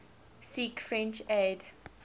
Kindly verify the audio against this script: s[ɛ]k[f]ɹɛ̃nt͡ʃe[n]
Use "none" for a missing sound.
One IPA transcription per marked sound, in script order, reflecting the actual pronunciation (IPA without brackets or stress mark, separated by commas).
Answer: i, f, d